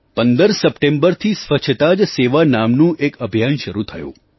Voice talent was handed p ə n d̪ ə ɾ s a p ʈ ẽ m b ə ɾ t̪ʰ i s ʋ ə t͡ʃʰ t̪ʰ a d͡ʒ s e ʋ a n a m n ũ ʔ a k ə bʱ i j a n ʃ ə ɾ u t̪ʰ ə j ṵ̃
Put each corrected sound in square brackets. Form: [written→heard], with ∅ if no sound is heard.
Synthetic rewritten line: p ə n d̪ ə ɾ s [a→ə] p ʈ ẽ m b ə ɾ t̪ʰ i s ʋ ə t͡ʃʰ [t̪ʰ→t̪] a d͡ʒ s e ʋ a n a m n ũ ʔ [a→e] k ə bʱ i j a n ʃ ə ɾ u t̪ʰ ə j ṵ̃

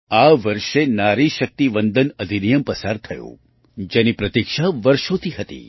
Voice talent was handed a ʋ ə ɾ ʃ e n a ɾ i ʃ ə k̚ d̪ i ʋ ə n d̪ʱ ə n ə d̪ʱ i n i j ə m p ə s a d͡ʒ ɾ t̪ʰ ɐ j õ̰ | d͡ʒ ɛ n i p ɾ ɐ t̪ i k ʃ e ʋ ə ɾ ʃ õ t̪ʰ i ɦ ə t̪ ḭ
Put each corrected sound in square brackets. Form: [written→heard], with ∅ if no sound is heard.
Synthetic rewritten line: a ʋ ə ɾ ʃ e n a ɾ i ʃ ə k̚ [d̪→t̪] i ʋ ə n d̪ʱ ə n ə d̪ʱ i n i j ə m p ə s a [d͡ʒ→∅] ɾ t̪ʰ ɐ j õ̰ | d͡ʒ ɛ n i p ɾ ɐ t̪ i k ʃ [e→a] ʋ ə ɾ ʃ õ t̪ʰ i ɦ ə t̪ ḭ

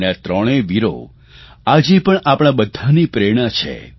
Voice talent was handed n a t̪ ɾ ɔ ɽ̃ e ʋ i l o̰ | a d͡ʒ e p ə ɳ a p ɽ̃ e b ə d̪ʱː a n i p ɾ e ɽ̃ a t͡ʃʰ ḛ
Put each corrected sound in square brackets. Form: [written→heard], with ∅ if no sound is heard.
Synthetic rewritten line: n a t̪ ɾ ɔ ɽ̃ e ʋ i [l→ɾ] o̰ | a d͡ʒ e p ə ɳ a p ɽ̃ [e→a] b ə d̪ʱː a n i p ɾ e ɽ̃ a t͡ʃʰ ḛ

